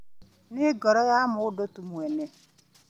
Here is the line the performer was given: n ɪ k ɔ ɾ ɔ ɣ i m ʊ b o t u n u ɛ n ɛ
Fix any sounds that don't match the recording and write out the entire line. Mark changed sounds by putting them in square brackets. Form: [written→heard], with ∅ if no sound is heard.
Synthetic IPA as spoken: n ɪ [k→ɡ] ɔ ɾ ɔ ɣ [i→a] m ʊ [b→d] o t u [n→m] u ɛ n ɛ